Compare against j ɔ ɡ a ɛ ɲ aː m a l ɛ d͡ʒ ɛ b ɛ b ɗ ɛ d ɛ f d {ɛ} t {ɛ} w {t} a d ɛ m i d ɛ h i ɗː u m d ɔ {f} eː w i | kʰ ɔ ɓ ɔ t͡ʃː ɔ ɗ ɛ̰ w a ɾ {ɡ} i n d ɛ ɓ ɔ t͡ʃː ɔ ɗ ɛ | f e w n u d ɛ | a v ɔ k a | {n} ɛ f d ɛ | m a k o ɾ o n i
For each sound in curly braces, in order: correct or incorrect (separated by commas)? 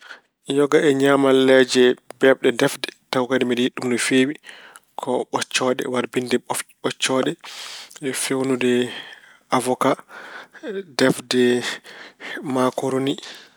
correct, incorrect, incorrect, correct, incorrect, incorrect